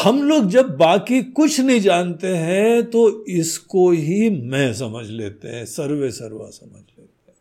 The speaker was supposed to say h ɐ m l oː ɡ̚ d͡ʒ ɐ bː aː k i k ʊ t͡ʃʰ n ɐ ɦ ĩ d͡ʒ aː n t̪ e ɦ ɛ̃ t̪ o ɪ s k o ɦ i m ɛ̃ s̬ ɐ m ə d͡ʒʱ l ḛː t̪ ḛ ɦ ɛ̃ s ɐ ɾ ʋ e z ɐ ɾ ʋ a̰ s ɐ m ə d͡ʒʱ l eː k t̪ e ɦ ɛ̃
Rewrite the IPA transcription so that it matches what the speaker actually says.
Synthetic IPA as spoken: h ɐ m l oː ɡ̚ d͡ʒ ɐ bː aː k i k ʊ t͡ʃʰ n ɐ ɦ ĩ d͡ʒ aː n t̪ e ɦ ɛ̃ t̪ o ɪ s k o ɦ i m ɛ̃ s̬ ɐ m ə d͡ʒʱ l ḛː t̪ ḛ ɦ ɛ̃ s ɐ ɾ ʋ e s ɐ ɾ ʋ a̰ s ɐ m ə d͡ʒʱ l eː t̪ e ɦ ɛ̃